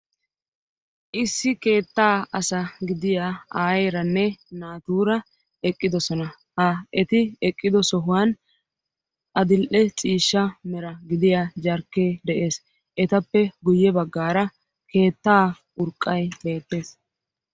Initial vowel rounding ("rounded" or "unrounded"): unrounded